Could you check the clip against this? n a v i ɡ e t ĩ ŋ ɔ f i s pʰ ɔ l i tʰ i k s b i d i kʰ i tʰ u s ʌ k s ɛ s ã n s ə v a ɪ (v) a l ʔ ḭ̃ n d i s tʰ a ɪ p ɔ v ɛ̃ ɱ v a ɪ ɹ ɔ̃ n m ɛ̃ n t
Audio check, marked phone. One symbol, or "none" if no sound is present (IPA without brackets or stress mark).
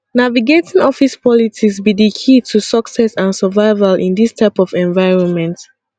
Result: v